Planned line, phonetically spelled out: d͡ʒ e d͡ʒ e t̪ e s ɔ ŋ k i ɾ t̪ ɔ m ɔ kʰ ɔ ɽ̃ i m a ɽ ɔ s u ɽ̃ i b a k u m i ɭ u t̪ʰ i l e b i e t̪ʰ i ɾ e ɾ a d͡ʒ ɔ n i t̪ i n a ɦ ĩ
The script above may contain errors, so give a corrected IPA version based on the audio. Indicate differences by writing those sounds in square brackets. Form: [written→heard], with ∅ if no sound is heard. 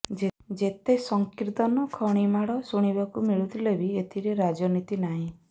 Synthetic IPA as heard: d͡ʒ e d͡ʒ e t̪ e s ɔ ŋ k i ɾ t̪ ɔ [m→n] ɔ kʰ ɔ ɽ̃ i m a ɽ ɔ s u ɽ̃ i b a k u m i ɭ u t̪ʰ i l e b i e t̪ʰ i ɾ e ɾ a d͡ʒ ɔ n i t̪ i n a ɦ ĩ